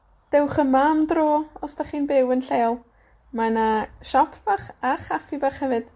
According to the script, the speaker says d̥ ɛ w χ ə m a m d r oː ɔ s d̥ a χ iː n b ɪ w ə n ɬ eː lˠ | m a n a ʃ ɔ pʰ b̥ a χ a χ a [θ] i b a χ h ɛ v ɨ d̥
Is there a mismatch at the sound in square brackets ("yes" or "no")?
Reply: yes